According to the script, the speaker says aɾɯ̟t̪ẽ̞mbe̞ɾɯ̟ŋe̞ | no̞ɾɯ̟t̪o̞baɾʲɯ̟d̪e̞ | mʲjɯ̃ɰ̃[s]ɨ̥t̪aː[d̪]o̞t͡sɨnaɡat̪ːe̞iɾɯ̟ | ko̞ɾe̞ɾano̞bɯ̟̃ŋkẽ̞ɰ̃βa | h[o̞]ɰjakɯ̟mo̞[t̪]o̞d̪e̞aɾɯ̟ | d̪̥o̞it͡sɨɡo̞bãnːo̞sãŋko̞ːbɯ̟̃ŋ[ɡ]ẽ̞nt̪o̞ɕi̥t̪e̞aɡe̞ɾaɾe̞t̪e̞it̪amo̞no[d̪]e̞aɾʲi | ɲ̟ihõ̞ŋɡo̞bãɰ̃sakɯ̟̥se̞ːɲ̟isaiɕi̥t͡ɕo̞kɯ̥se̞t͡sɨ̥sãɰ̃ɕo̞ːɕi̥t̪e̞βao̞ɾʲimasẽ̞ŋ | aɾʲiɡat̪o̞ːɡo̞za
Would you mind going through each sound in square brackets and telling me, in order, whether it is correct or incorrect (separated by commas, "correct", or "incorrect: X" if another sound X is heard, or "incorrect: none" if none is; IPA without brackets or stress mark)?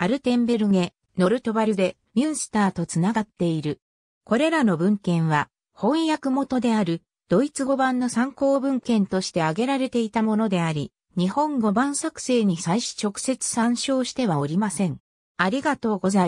correct, incorrect: t̪, incorrect: õ̞, correct, incorrect: k, correct